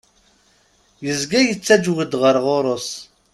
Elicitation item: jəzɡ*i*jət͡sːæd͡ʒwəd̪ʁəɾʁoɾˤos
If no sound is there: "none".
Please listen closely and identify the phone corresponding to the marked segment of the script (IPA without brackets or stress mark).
æ